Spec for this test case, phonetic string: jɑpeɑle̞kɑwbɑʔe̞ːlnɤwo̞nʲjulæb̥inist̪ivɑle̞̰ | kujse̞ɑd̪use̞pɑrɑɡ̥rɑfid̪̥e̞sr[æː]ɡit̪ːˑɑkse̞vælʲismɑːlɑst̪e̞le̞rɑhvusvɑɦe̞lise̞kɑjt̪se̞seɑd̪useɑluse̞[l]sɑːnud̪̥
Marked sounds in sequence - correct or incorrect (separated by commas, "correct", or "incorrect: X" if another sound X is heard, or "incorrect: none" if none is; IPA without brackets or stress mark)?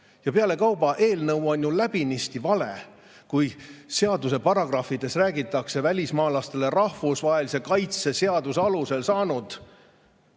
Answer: correct, correct